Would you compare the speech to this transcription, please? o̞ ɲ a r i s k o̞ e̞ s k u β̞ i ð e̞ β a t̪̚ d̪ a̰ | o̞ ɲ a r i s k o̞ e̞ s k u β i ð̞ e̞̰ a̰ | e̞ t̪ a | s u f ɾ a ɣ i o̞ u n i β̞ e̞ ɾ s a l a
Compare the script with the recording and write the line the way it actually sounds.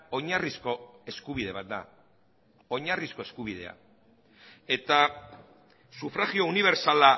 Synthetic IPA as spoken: o̞ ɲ a r i s k o̞ e̞ s k u β̞ i ð e̞ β a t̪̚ d̪ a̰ | o̞ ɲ a r i s k o̞ e̞ s k u β i ð̞ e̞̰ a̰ | e̞ t̪ a | s u f ɾ a ɣ i o̞ u n i β̞ e̞ ɾ s a l a